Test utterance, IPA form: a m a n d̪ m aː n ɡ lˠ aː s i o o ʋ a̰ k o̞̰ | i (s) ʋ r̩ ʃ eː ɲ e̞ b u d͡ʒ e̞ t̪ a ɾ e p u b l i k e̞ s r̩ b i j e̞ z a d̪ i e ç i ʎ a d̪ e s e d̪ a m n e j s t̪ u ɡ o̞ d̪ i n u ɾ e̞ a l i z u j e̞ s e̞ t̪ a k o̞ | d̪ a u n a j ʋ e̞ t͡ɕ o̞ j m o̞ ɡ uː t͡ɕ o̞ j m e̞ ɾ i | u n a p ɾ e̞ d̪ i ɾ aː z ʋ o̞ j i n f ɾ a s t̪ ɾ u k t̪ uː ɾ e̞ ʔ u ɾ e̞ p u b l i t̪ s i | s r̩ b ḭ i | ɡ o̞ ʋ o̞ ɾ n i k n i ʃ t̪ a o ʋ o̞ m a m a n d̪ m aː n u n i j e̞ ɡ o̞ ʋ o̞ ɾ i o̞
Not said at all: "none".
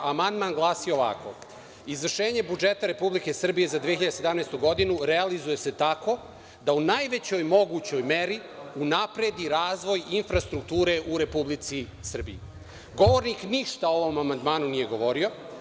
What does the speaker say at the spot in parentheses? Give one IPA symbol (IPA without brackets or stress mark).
z